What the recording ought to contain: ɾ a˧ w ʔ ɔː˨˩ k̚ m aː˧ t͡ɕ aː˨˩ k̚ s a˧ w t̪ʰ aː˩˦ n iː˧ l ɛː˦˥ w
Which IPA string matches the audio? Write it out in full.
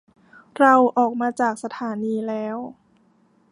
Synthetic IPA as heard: ɾ a˧ w ʔ ɔː˨˩ k̚ m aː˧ t͡ɕ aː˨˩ k̚ s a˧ t̪ʰ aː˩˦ n iː˧ l ɛː˦˥ w